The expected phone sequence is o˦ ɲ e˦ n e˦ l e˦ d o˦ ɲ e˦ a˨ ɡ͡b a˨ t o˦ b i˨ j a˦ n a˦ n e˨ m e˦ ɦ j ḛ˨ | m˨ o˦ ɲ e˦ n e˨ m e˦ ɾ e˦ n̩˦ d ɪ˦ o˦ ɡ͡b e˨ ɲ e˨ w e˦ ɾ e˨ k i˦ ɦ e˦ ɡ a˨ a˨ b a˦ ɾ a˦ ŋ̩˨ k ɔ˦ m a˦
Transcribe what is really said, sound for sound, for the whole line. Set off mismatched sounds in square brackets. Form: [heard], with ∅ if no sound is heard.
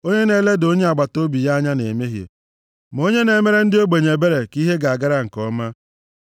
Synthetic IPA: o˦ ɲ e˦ n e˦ l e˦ d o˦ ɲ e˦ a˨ ɡ͡b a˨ t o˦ b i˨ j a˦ [ɲ] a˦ n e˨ m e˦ ɦ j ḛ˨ | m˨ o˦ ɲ e˦ n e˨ m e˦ ɾ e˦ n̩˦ d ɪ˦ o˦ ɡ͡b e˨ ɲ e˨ [b] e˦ ɾ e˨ k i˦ ɦ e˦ ɡ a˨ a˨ [ɡ] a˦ ɾ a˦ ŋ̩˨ k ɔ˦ m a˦